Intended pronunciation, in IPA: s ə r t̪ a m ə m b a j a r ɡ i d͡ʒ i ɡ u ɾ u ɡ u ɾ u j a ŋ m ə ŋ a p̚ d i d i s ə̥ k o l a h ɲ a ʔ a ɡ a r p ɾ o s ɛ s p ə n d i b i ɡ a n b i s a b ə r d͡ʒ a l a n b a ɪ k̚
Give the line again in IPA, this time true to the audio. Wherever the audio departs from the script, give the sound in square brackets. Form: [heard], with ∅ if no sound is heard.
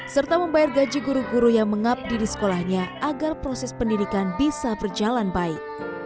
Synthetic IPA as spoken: s ə r t̪ a m ə m b a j a r ɡ [a] d͡ʒ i ɡ u ɾ u ɡ u ɾ u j a ŋ m ə ŋ a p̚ d i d i s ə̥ k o l a h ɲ a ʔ a ɡ a r p ɾ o s ɛ s p ə n d i [d] i [k] a n b i s a b ə r d͡ʒ a l a n b a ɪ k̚